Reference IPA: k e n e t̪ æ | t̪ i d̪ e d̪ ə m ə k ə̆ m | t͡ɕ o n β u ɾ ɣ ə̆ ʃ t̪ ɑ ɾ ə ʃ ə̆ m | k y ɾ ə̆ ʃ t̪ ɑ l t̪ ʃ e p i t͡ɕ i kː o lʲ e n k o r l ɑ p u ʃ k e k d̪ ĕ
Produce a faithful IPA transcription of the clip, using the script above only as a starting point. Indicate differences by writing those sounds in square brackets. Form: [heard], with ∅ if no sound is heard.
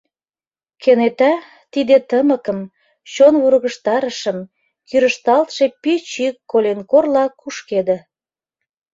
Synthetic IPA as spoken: k e n e t̪ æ | t̪ i d̪ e [t̪] ə m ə k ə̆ m | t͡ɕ o n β u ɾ ɣ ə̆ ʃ t̪ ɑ ɾ ə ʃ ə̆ m | k y ɾ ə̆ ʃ t̪ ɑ l t̪ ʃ e p i t͡ɕ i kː o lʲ e n k o r l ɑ [k] u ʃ k e [∅] d̪ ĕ